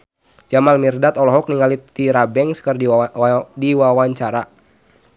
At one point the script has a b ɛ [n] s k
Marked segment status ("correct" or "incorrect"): incorrect